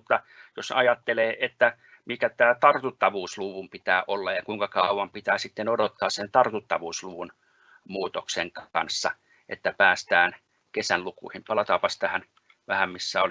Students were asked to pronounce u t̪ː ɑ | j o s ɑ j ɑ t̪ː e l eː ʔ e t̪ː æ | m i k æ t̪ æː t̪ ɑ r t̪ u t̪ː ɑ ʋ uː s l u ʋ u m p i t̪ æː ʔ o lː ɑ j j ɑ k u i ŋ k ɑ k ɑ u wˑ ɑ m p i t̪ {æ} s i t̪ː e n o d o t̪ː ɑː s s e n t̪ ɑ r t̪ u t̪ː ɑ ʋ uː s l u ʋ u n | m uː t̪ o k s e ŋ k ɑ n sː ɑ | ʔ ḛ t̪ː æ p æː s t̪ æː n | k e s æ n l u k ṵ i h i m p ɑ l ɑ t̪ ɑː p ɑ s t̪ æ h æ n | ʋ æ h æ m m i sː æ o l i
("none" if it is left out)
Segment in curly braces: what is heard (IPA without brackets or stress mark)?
æː